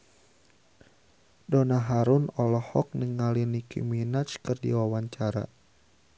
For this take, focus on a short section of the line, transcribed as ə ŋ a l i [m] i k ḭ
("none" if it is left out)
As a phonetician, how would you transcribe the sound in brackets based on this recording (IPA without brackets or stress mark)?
n